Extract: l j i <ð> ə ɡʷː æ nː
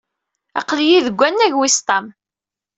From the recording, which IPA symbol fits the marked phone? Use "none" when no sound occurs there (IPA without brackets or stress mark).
ð